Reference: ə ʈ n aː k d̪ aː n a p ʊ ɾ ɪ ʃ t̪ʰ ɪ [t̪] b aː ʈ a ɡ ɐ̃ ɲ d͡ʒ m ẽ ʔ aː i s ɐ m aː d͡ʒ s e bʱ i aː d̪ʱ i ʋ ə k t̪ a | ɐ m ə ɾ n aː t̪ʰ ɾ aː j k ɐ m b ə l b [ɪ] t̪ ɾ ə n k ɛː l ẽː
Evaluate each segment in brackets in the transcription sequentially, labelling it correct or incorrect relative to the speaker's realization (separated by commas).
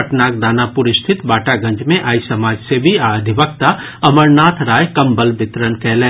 correct, correct